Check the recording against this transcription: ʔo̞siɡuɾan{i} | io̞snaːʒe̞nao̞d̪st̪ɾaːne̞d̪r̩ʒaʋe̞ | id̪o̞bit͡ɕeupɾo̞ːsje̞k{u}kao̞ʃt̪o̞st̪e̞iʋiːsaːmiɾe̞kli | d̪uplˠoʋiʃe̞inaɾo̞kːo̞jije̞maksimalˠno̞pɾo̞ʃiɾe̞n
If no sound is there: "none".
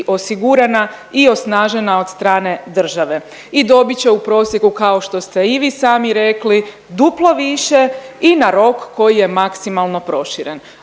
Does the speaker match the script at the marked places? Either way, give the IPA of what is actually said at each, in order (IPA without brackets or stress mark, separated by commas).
a, u